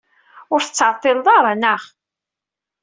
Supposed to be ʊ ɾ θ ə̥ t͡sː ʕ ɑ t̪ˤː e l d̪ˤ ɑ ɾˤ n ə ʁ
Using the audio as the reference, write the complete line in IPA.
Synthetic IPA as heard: ʊ ɾ θ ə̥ t͡sː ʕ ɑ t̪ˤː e l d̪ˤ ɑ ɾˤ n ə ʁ